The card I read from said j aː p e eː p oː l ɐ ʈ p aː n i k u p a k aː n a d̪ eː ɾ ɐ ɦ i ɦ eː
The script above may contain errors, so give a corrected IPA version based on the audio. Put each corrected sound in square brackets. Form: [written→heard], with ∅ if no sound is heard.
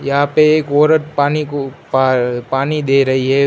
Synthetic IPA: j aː p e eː [p→k] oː [l→ɾ] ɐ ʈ p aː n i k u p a [k→p] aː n [a→i] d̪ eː ɾ ɐ ɦ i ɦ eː